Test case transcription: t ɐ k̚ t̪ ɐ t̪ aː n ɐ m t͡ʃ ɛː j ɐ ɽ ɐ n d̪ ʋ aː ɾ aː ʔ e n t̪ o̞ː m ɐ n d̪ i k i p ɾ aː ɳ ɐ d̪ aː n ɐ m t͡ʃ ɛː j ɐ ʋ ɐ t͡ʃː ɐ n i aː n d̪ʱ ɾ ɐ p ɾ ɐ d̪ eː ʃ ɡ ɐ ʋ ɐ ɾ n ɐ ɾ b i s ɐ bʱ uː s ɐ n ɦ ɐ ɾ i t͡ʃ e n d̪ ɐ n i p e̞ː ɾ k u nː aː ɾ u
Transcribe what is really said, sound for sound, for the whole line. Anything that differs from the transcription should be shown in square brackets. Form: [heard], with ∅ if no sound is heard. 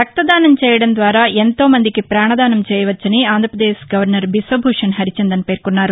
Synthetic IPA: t ɐ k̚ t̪ ɐ [d̪] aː n ɐ m t͡ʃ ɛː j ɐ ɽ ɐ n d̪ ʋ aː ɾ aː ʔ e n t̪ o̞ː m ɐ n d̪ i k i p ɾ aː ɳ ɐ d̪ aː n ɐ m t͡ʃ ɛː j ɐ ʋ ɐ t͡ʃː ɐ n i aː n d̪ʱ ɾ ɐ p ɾ ɐ d̪ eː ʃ ɡ ɐ ʋ ɐ ɾ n ɐ ɾ b i s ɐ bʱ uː [ʂ] ɐ n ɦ ɐ ɾ i t͡ʃ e n d̪ ɐ n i p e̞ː ɾ k u nː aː ɾ u

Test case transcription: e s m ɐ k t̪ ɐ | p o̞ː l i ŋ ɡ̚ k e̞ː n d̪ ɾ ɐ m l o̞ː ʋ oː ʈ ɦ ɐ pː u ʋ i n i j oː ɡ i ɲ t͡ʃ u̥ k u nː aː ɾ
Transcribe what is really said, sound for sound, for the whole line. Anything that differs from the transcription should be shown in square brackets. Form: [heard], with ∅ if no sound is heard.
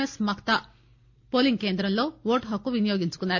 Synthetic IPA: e s m ɐ k t̪ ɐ | p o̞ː l i ŋ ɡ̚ k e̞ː n d̪ ɾ ɐ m l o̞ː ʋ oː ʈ ɦ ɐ [kː] u ʋ i n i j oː ɡ i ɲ t͡ʃ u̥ k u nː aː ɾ

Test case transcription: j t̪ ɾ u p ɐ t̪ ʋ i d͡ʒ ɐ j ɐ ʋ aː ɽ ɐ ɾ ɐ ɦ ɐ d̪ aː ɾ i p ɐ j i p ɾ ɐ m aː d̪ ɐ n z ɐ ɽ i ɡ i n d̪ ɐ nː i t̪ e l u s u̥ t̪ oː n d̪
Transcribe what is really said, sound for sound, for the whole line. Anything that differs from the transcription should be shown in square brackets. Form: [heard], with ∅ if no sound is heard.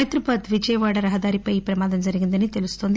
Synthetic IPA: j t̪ ɾ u p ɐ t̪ ʋ i d͡ʒ ɐ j ɐ ʋ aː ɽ ɐ ɾ ɐ ɦ ɐ d̪ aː ɾ i p ɐ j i p ɾ ɐ m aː d̪ ɐ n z ɐ [ɾ] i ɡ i n d̪ ɐ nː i t̪ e l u s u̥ t̪ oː n d̪

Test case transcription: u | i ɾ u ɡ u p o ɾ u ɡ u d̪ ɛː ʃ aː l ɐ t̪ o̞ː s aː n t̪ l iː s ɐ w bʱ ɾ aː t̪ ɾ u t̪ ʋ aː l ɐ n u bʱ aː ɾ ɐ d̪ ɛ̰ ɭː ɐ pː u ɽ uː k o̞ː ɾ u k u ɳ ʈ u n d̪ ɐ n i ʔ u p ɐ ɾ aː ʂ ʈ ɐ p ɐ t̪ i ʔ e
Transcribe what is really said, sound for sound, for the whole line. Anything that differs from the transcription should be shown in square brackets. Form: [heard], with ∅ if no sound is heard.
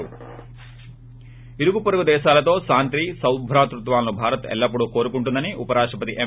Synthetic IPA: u | i ɾ u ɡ u p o ɾ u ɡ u d̪ ɛː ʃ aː l ɐ t̪ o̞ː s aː n t̪ [ɾ] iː s ɐ w bʱ ɾ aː t̪ ɾ u t̪ ʋ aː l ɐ n u bʱ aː ɾ ɐ [t̪] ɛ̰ [lː] ɐ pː u ɽ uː k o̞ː ɾ u k u ɳ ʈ u n d̪ ɐ n i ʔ u p ɐ ɾ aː ʂ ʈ ɐ p ɐ t̪ i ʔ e

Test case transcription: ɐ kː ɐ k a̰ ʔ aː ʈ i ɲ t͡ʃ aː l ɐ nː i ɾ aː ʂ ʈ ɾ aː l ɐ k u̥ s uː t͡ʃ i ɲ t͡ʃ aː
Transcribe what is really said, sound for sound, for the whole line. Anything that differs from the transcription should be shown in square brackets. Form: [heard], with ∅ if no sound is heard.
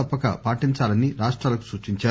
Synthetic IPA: ɐ [pː] ɐ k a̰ [p] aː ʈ i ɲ t͡ʃ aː l ɐ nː i ɾ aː ʂ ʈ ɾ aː l ɐ k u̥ s uː t͡ʃ i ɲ t͡ʃ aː

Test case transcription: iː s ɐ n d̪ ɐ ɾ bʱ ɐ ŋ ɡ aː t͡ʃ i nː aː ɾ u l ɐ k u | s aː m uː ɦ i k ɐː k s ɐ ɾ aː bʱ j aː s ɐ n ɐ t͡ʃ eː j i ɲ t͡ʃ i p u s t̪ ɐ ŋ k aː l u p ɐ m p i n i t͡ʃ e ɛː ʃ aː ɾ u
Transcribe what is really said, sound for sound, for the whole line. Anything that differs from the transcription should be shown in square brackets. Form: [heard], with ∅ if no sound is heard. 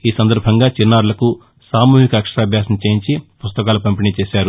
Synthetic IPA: iː s ɐ n d̪ ɐ ɾ bʱ ɐ ŋ ɡ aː t͡ʃ i nː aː ɾ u l ɐ k u | s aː m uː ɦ i k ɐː k [ʂ] ɐ ɾ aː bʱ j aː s ɐ n ɐ t͡ʃ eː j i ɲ t͡ʃ i p u s t̪ ɐ [∅] k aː l u p ɐ m p i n i t͡ʃ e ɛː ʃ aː ɾ u

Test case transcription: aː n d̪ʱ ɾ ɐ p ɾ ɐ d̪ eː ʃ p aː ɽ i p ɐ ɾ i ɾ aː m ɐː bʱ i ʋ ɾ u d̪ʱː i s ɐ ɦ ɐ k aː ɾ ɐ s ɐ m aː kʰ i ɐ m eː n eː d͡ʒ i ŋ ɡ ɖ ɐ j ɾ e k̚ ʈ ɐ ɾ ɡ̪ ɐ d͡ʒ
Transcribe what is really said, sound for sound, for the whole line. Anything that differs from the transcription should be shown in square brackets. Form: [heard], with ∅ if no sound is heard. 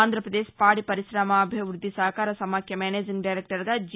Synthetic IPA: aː n d̪ʱ ɾ ɐ p ɾ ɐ d̪ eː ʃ p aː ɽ i p ɐ ɾ i ɾ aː m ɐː bʱ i ʋ ɾ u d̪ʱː i s ɐ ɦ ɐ k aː ɾ ɐ s ɐ m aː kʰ [j] ɐ m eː n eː d͡ʒ i ŋ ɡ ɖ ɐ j ɾ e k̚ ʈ ɐ ɾ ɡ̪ ɐ d͡ʒ

